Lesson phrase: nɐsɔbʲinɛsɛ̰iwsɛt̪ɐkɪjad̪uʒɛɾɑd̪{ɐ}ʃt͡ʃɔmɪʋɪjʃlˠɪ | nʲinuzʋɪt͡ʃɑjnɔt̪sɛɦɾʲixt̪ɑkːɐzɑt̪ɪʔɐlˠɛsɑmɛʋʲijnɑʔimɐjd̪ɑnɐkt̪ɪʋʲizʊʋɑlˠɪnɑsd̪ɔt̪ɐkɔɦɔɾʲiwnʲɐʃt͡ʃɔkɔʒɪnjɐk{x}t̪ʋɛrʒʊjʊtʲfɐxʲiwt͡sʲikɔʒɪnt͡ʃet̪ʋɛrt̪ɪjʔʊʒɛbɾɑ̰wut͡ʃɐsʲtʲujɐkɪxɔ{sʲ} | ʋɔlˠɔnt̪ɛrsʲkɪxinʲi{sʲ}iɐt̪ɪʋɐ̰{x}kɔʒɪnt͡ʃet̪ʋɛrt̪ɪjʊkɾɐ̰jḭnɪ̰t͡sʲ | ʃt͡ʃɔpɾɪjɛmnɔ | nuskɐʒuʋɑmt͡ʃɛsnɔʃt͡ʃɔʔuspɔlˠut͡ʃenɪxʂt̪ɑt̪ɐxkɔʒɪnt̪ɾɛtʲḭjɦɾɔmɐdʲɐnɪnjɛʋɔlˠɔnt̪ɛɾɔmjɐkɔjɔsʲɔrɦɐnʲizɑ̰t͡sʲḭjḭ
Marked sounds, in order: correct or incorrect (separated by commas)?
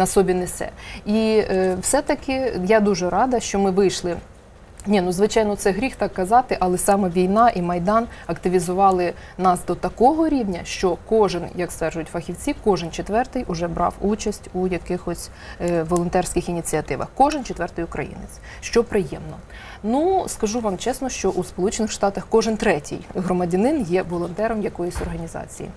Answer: correct, incorrect, correct, incorrect, correct